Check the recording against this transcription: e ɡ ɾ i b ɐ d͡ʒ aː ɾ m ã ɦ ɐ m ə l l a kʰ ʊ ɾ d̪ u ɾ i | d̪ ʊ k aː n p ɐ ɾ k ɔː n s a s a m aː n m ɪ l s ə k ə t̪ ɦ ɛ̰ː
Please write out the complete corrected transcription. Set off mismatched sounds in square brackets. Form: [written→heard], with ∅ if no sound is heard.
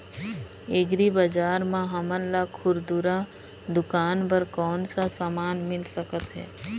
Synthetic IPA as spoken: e ɡ ɾ i b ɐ d͡ʒ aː ɾ m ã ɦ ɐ m ə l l a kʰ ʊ ɾ d̪ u ɾ [i→a] | d̪ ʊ k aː n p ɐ ɾ k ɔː n s a s a m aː n m ɪ l s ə k ə t̪ ɦ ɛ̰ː